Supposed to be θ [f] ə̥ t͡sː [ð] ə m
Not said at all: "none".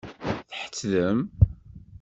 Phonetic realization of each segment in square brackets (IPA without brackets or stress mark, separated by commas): ħ, ð